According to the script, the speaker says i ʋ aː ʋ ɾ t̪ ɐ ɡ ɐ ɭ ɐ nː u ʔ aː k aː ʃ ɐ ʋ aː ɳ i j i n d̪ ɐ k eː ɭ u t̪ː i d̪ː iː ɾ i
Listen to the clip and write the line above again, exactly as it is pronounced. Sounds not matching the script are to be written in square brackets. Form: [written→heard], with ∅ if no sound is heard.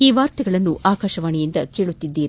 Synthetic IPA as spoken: [i→iː] ʋ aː [ʋ→∅] ɾ t̪ ɐ ɡ ɐ ɭ ɐ nː u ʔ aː k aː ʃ ɐ ʋ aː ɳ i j i n d̪ ɐ k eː ɭ u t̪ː i d̪ː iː ɾ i

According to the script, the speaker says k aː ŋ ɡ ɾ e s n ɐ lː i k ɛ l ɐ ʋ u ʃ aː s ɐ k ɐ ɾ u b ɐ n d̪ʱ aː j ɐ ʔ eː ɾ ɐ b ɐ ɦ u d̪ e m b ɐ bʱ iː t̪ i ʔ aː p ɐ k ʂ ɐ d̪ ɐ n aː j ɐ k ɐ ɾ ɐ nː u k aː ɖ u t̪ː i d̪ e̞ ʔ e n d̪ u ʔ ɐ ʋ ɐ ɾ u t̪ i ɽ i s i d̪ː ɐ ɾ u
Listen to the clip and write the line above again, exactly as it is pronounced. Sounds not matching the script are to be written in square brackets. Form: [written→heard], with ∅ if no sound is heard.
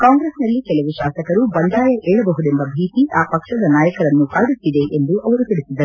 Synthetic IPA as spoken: k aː ŋ ɡ ɾ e s n ɐ lː i k ɛ l ɐ ʋ u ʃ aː s ɐ k ɐ ɾ u b ɐ n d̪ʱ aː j ɐ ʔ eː [ɾ→ɭ] ɐ b ɐ ɦ u d̪ e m b ɐ bʱ iː t̪ i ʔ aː p ɐ k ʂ ɐ d̪ ɐ n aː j ɐ k ɐ ɾ ɐ nː u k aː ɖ u t̪ː i d̪ e̞ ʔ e n d̪ u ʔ ɐ ʋ ɐ ɾ u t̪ i ɽ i s i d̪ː ɐ ɾ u

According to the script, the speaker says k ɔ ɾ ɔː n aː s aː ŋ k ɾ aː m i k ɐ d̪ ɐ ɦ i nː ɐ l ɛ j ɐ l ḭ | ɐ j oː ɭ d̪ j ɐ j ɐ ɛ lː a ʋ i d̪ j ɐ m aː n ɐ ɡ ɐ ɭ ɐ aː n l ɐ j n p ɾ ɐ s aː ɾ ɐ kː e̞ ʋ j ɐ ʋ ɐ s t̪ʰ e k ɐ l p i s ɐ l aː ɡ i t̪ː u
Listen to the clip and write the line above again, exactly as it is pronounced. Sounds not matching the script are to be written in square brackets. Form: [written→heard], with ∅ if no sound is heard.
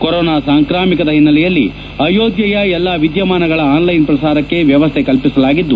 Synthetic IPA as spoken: k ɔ ɾ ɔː n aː s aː ŋ k ɾ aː m i k ɐ d̪ ɐ ɦ i nː ɐ l ɛ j ɐ [l→lː] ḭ | ɐ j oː [ɭ→∅] d̪ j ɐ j ɐ ɛ lː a ʋ i d̪ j ɐ m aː n ɐ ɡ ɐ ɭ ɐ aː n l ɐ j n p ɾ ɐ s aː ɾ ɐ kː e̞ ʋ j ɐ ʋ ɐ s t̪ʰ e k ɐ l p i s ɐ l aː ɡ i [t̪ː→d̪ː] u

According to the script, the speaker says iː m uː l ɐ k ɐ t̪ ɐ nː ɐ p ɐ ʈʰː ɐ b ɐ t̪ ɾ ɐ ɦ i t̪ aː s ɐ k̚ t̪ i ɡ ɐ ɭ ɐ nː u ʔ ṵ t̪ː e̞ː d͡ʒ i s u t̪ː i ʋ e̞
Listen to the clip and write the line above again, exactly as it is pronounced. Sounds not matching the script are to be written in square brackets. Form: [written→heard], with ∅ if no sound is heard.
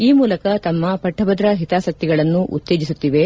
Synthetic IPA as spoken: iː m uː l ɐ k ɐ t̪ ɐ [nː→mː] ɐ p ɐ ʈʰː ɐ b ɐ [t̪→d̪] ɾ ɐ ɦ i t̪ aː s ɐ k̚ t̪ i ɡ ɐ ɭ ɐ nː u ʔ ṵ t̪ː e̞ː d͡ʒ i s u t̪ː i ʋ e̞

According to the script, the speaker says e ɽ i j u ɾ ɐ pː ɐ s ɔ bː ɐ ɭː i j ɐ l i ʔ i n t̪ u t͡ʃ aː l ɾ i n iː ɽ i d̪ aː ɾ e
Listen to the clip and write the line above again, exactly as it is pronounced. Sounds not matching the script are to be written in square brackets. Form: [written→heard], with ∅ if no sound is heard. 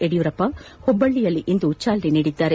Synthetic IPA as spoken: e ɽ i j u ɾ ɐ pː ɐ [s→h] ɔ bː ɐ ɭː i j ɐ [l→lː] i ʔ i n [t̪→d̪] u t͡ʃ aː l ɾ i n iː ɽ i [d̪→d̪ː] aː ɾ e

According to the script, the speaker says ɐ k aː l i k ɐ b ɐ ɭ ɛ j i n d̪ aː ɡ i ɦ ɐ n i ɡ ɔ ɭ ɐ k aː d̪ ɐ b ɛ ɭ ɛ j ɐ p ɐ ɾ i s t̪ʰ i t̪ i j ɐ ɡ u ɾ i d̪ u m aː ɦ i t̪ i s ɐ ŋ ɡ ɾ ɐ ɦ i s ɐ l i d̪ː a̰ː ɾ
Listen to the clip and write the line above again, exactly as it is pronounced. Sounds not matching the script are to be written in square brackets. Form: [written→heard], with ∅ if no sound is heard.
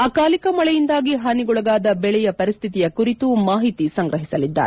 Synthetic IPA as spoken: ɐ k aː l i k ɐ [b→m] ɐ ɭ ɛ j i n d̪ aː ɡ i ɦ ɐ n i ɡ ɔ ɭ ɐ [k→ɡ] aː d̪ ɐ b ɛ ɭ ɛ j ɐ p ɐ ɾ i s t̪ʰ i t̪ i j ɐ [ɡ→k] u ɾ i [d̪→t̪] u m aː ɦ i t̪ i s ɐ ŋ ɡ ɾ ɐ ɦ i s ɐ l i d̪ː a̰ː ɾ

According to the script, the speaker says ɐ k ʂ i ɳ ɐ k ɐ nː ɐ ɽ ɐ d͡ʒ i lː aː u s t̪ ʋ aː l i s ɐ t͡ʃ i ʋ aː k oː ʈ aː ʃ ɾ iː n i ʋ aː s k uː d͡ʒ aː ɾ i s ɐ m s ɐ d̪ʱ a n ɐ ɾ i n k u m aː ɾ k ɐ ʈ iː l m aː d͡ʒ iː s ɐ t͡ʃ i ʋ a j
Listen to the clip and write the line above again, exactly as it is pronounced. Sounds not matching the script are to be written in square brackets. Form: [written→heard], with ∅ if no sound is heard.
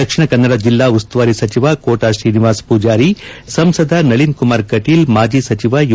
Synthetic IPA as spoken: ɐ k ʂ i ɳ ɐ k ɐ nː ɐ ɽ ɐ d͡ʒ i lː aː u s t̪ ʋ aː [l→ɾ] i s ɐ t͡ʃ i ʋ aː k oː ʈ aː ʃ ɾ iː n i ʋ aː s [k→p] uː d͡ʒ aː ɾ i s ɐ m s ɐ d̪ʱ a n ɐ [ɾ→ɭ] i n k u m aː ɾ k ɐ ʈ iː l m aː d͡ʒ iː s ɐ t͡ʃ i ʋ a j

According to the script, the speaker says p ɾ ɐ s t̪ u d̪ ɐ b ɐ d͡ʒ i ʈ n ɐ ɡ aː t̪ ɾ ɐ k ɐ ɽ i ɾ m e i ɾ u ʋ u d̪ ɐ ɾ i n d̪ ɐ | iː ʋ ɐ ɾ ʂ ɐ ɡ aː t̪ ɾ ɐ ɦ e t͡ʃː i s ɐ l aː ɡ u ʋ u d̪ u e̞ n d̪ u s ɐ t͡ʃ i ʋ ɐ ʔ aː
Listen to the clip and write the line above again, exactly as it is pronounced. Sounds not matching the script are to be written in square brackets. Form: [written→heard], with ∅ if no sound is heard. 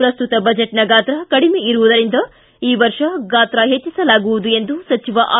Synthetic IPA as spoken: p ɾ ɐ s t̪ u [d̪→t̪] ɐ b ɐ d͡ʒ [i→e] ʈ n ɐ ɡ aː t̪ ɾ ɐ k ɐ ɽ i [ɾ→∅] m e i ɾ u ʋ u d̪ ɐ ɾ i n d̪ ɐ | iː ʋ ɐ ɾ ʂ ɐ ɡ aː t̪ ɾ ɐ ɦ e t͡ʃː i s ɐ l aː ɡ u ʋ u d̪ u e̞ n d̪ u s ɐ t͡ʃ i ʋ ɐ ʔ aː

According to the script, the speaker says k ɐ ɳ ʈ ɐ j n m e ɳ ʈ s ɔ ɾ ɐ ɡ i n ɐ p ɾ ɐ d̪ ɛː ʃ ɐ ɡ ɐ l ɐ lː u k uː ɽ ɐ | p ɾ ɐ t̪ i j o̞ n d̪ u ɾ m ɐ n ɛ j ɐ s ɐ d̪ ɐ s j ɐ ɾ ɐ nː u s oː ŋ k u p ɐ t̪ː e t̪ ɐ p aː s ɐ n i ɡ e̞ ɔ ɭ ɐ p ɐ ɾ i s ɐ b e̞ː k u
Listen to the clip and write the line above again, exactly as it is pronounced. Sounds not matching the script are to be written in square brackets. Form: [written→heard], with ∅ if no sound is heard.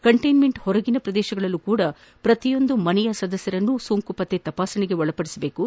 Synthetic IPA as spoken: k ɐ ɳ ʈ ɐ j n m e ɳ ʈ [s→h] ɔ ɾ ɐ ɡ i n ɐ p ɾ ɐ d̪ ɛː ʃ ɐ ɡ ɐ [l→ɭ] ɐ lː u k uː ɽ ɐ | p ɾ ɐ t̪ i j o̞ n d̪ u [ɾ→∅] m ɐ n ɛ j ɐ s ɐ d̪ ɐ s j ɐ ɾ ɐ nː u s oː ŋ k u p ɐ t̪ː e t̪ ɐ p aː s ɐ n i ɡ e̞ ɔ ɭ ɐ p ɐ [ɾ→ɽ] i s ɐ b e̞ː k u

